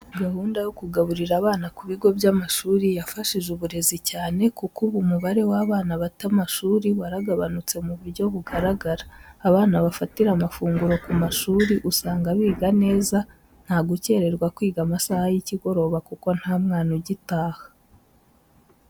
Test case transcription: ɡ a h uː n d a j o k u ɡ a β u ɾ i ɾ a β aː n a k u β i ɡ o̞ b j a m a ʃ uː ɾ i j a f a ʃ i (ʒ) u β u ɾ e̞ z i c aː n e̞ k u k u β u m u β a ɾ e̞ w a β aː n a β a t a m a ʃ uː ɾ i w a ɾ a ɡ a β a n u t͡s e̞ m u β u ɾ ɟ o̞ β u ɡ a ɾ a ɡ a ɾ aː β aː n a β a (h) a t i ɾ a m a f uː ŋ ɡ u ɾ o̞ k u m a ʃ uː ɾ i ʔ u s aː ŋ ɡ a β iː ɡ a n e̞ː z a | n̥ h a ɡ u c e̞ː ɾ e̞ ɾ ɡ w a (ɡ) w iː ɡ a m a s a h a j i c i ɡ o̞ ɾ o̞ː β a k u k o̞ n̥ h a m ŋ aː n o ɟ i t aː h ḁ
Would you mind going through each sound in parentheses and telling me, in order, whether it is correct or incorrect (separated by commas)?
correct, incorrect, incorrect